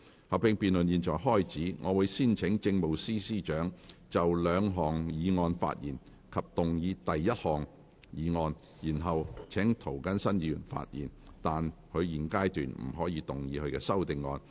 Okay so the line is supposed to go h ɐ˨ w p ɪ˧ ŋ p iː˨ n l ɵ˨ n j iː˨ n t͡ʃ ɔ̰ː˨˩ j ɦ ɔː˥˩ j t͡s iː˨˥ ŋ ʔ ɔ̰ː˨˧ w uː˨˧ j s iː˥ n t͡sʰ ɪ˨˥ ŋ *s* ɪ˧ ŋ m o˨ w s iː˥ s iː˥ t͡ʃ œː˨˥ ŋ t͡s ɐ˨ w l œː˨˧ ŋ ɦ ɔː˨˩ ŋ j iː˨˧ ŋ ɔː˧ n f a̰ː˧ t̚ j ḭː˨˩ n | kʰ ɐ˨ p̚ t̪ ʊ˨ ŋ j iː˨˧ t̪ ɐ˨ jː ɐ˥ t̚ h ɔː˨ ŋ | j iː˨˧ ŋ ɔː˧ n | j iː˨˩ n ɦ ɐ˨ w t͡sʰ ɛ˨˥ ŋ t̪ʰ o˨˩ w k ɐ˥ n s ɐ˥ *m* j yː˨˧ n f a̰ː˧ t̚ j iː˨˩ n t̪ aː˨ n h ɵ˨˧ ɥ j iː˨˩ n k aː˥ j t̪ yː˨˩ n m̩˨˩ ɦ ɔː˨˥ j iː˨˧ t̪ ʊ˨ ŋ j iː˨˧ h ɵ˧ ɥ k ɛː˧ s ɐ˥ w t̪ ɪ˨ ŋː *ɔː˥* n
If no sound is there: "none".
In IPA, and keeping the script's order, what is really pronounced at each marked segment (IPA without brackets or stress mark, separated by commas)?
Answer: t͡s, n, ɔː˧